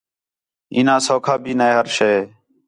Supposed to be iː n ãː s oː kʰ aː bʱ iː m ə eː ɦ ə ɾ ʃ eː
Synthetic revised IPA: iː n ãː s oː kʰ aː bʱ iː n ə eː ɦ ə ɾ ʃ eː